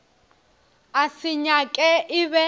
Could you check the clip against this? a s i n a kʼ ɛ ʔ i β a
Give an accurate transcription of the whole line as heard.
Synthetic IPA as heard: a s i ɲ a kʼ ɛ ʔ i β ɛ